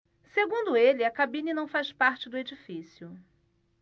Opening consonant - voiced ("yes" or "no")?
no